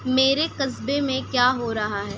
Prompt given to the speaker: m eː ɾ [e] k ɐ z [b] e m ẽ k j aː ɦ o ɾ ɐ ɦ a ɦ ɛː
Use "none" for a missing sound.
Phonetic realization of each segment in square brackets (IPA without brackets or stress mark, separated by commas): e, b